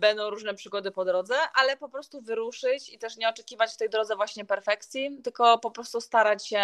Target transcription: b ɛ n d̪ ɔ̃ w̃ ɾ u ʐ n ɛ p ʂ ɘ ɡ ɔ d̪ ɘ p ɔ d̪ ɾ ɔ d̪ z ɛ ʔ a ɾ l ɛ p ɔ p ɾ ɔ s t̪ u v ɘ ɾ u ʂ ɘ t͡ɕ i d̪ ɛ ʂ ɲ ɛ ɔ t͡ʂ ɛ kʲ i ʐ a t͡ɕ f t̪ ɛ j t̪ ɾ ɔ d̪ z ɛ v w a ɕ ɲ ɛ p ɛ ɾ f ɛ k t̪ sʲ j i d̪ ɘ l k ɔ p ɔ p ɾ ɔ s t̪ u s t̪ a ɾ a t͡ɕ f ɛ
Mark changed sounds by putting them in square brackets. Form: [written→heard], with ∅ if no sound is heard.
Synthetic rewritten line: b ɛ n d̪ ɔ̃ w̃ ɾ u ʐ n ɛ p ʂ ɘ ɡ ɔ d̪ ɘ p ɔ d̪ ɾ ɔ d̪ z ɛ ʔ a [ɾ→∅] l ɛ p ɔ p ɾ ɔ s t̪ u v ɘ ɾ u ʂ ɘ t͡ɕ i [d̪→t̪] ɛ ʂ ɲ ɛ ɔ t͡ʂ ɛ kʲ i [ʐ→v] a t͡ɕ f t̪ ɛ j [t̪→d̪] ɾ ɔ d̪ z ɛ v w a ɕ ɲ ɛ p ɛ ɾ f ɛ k t̪ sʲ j i [d̪→t̪] ɘ l k ɔ p ɔ p ɾ ɔ s t̪ u s t̪ a ɾ a t͡ɕ [f→ɕ] ɛ